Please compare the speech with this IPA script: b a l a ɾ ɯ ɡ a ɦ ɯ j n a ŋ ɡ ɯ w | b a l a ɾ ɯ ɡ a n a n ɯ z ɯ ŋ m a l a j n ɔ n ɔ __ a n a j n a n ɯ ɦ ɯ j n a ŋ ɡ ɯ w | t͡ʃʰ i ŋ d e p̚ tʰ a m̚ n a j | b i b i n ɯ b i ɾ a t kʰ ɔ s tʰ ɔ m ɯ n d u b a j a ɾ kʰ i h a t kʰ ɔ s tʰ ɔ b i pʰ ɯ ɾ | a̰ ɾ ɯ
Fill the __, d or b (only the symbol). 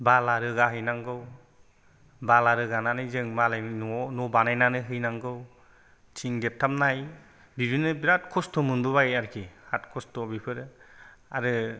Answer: b